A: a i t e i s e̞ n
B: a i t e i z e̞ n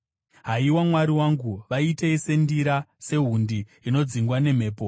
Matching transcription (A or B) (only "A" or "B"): A